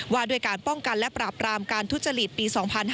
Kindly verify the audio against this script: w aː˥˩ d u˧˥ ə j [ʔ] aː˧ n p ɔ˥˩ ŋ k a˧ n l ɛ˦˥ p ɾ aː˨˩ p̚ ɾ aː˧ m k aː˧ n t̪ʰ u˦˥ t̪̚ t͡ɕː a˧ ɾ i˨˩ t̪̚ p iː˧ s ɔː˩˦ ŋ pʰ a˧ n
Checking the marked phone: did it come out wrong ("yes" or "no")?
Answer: yes